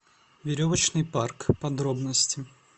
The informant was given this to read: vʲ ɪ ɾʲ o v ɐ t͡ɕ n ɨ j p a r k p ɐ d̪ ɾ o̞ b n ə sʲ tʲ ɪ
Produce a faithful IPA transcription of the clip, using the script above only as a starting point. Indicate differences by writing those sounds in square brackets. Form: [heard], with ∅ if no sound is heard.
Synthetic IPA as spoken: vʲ ɪ ɾʲ o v [ə] t͡ɕ n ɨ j p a r k p ɐ d̪ ɾ o̞ b n ə sʲ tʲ ɪ